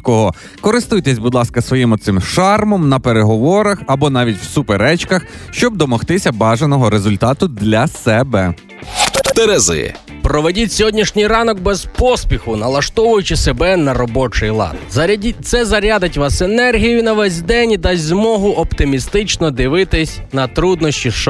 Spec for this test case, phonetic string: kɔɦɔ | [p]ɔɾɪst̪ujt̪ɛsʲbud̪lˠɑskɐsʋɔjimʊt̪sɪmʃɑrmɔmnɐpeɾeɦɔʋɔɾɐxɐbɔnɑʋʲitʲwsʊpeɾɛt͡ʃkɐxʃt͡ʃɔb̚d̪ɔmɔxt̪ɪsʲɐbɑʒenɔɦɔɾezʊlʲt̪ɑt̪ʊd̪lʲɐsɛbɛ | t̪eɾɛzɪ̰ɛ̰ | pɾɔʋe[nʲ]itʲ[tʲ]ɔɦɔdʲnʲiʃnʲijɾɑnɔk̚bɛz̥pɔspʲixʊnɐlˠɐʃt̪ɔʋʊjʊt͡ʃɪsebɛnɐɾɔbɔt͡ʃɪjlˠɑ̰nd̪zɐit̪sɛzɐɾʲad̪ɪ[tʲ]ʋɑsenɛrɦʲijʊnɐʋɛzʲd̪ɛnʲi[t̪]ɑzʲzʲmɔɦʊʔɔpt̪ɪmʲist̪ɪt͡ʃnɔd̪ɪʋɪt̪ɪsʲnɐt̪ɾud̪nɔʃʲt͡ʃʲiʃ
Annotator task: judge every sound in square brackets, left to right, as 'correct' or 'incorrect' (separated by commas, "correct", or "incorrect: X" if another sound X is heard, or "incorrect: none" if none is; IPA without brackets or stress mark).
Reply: incorrect: k, incorrect: dʲ, incorrect: sʲ, correct, incorrect: d̪